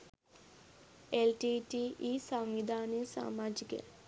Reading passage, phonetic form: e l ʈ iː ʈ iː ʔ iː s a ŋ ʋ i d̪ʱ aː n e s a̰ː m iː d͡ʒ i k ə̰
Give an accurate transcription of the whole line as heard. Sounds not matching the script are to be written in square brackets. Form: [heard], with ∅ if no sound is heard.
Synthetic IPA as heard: e l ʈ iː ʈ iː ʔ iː s a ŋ ʋ i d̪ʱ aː n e s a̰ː m [aː] d͡ʒ i k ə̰